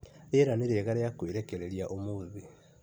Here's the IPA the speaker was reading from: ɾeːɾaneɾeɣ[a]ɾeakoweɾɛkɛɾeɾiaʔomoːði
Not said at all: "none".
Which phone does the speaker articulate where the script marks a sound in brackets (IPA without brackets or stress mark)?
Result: a